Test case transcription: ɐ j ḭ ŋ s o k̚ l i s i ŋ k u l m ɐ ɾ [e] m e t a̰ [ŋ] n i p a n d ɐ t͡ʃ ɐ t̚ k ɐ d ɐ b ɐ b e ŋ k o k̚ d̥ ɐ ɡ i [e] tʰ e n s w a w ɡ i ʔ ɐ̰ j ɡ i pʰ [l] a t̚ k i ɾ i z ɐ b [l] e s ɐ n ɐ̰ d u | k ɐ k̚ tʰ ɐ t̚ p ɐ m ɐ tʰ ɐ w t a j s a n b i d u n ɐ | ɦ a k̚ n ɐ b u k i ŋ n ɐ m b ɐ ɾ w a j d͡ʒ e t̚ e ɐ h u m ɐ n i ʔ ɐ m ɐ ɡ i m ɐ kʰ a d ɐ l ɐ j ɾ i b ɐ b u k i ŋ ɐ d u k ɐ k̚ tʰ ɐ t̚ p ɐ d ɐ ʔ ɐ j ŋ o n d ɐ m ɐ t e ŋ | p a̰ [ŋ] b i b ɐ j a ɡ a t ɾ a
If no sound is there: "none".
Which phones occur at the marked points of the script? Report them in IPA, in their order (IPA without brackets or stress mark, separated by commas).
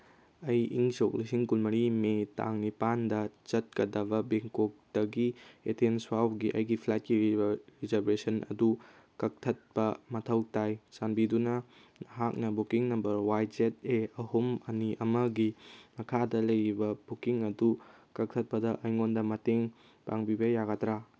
i, ŋ, e, l, ɾ, ŋ